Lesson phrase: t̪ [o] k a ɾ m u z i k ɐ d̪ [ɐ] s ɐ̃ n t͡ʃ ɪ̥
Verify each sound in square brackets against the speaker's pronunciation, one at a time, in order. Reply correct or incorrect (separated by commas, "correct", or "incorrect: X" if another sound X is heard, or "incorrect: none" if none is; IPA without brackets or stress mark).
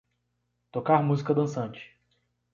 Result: correct, incorrect: ɐ̃